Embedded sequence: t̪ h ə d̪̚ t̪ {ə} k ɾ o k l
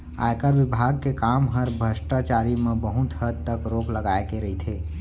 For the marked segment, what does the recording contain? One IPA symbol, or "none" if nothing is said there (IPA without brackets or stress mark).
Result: ə